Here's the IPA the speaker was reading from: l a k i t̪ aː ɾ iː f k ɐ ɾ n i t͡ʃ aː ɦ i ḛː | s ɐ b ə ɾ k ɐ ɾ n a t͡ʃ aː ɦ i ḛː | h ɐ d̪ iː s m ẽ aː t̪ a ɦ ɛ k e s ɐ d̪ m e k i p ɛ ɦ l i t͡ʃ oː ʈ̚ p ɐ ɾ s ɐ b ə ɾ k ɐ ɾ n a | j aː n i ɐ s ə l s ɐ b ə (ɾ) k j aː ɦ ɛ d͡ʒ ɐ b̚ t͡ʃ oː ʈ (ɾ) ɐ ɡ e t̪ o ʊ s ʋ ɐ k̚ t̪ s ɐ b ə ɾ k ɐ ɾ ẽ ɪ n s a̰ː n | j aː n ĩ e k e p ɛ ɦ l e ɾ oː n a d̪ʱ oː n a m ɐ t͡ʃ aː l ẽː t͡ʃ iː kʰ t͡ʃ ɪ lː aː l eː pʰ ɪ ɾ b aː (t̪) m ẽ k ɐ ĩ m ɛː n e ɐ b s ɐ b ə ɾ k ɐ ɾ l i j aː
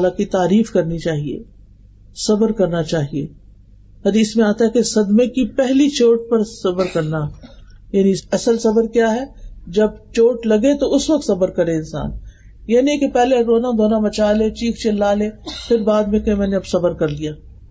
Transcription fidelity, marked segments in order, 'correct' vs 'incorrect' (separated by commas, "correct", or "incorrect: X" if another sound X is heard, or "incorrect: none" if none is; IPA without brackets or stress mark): correct, incorrect: l, incorrect: d̪